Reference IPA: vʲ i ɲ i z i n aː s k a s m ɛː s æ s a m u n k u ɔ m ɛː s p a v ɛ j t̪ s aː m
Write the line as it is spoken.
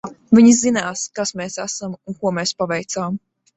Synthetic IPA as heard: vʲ i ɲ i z i n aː s k a s m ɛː s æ s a m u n k u ɔ m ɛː s p a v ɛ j t̪ s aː m

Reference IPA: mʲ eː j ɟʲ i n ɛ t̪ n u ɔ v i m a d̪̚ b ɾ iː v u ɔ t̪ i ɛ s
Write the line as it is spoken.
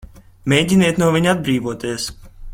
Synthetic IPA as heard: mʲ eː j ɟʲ i n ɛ t̪ n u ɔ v i ɲ a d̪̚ b ɾ iː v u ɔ t̪ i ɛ s

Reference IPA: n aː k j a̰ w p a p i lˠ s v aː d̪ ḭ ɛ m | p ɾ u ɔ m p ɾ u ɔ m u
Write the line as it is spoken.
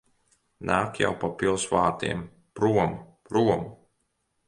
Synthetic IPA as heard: n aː k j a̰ w p a p i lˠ s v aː t̪ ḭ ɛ m | p ɾ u ɔ m p ɾ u ɔ m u

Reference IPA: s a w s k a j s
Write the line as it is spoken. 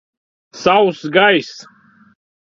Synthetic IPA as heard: s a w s ɡ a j s

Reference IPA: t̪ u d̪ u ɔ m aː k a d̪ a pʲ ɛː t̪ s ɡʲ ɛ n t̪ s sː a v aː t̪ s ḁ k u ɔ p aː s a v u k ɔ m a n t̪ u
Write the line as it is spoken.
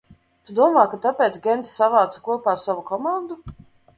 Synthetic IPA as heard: t̪ u d̪ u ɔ m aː k a t̪ a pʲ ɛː t̪ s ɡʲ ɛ n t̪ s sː a v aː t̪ s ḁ k u ɔ p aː s a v u k ɔ m a n d̪ u

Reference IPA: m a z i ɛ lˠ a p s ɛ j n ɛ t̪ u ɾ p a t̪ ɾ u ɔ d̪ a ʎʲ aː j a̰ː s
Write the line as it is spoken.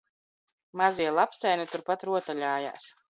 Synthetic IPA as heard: m a z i ɛ lˠ a p s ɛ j n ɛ t̪ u ɾ p a t̪ ɾ u ɔ t̪ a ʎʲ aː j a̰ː s

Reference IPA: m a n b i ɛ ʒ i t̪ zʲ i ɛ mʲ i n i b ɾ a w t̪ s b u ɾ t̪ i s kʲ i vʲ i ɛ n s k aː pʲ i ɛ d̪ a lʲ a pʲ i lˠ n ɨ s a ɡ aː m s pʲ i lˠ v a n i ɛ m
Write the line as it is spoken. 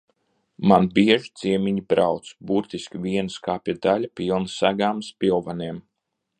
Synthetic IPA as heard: m a n b i ɛ ʒ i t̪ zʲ i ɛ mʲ i ɲ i b ɾ a w t̪ s b u ɾ t̪ i s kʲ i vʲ i ɛ n s k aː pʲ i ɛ d̪ a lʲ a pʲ i lˠ n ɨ s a ɡ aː m s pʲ i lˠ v a n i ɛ m

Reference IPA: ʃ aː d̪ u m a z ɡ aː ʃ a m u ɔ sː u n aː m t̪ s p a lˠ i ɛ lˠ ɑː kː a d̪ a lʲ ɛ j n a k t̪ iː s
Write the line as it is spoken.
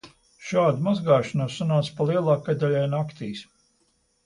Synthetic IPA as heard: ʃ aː d̪ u m a z ɡ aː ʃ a n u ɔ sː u n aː t̪ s p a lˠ i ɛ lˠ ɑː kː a d̪ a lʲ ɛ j n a k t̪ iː s

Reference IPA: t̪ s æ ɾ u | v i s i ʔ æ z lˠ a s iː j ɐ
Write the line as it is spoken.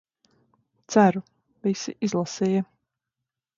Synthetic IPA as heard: t̪ s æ ɾ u | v i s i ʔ i z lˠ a s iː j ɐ

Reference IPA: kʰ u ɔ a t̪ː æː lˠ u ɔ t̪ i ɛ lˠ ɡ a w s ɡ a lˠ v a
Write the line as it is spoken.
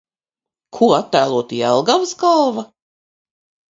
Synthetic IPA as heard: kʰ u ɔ a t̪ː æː lˠ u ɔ t̪ i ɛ lˠ ɡ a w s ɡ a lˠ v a

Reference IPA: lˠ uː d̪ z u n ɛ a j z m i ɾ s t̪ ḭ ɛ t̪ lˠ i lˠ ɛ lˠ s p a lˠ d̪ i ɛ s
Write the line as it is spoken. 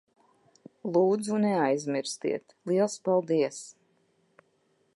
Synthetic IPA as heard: lˠ uː d̪ z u n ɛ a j z m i ɾ s t̪ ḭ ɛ t̪ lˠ i ɛ lˠ s p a lˠ d̪ i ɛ s

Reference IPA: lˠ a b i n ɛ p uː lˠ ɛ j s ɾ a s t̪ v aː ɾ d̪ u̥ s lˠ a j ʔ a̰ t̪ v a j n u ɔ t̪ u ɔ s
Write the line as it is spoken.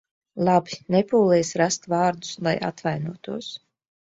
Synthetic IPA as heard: lˠ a b i n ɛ p uː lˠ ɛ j s ɾ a s t̪ v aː ɾ d̪ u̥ s lˠ a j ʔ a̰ t̪ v a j n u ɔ t̪ u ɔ s

